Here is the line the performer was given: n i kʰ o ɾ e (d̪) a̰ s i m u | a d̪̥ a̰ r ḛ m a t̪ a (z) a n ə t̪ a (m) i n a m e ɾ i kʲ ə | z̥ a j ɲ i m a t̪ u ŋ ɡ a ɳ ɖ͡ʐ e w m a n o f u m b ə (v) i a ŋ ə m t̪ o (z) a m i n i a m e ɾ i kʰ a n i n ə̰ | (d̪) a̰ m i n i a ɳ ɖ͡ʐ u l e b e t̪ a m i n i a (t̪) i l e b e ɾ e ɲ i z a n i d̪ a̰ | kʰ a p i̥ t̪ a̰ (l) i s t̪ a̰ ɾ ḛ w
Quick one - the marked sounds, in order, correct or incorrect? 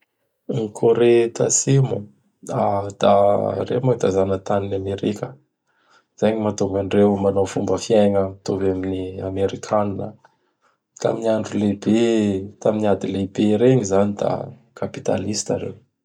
incorrect: t̪, correct, incorrect: n, incorrect: f, incorrect: v, incorrect: t̪, incorrect: d̪, correct

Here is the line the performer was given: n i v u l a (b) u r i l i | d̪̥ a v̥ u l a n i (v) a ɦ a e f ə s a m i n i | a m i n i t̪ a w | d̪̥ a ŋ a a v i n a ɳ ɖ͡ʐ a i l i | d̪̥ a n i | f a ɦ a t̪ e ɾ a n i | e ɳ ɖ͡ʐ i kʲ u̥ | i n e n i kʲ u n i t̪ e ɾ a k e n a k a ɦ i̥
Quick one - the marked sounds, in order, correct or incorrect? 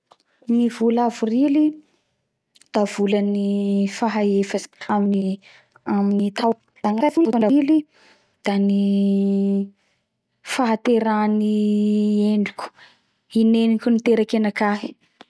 incorrect: v, incorrect: f

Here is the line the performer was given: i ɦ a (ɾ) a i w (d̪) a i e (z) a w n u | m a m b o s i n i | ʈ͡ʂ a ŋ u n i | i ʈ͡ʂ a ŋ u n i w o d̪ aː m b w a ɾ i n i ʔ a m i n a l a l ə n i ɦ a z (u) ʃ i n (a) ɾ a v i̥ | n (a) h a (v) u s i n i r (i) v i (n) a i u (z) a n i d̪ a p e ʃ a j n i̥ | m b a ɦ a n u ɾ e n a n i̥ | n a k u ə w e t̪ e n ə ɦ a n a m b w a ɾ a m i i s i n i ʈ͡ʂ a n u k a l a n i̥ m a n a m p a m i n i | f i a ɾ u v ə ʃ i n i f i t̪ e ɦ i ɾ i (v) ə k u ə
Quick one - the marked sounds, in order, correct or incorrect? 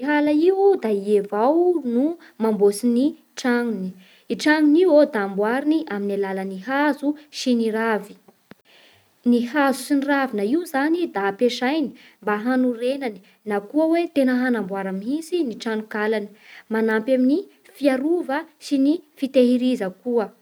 incorrect: l, correct, incorrect: v, correct, incorrect: i, incorrect: i, incorrect: z, incorrect: a, correct, correct, incorrect: z

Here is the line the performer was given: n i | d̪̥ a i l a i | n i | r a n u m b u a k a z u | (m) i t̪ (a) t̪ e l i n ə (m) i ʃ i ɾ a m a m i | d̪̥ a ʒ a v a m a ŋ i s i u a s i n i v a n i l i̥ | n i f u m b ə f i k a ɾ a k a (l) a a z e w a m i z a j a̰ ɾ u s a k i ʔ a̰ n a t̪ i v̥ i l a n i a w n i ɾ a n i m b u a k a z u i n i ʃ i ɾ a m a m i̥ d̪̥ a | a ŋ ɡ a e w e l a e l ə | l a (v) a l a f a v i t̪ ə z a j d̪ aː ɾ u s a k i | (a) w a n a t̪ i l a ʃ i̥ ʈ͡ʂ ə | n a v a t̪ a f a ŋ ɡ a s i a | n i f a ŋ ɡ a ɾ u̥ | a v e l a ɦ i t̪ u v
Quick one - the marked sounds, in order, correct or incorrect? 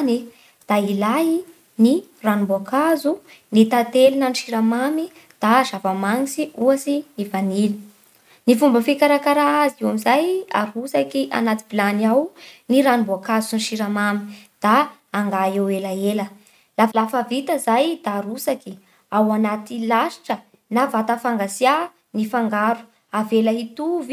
incorrect: n, correct, incorrect: n, incorrect: ɾ, incorrect: f, correct

